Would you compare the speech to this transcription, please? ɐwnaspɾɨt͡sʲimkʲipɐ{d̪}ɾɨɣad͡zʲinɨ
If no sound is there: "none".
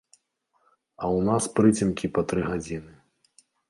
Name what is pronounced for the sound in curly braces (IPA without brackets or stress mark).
t̪